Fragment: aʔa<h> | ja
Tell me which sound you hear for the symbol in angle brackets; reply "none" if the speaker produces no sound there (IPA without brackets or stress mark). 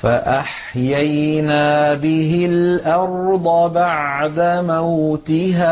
ħ